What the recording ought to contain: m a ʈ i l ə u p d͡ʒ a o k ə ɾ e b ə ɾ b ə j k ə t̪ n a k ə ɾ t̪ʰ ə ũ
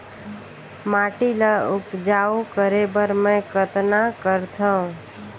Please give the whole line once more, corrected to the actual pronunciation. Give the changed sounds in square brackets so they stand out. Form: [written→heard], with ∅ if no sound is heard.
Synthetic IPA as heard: m a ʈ i l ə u p d͡ʒ a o k ə ɾ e b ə ɾ [b→m] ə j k ə t̪ n a k ə ɾ t̪ʰ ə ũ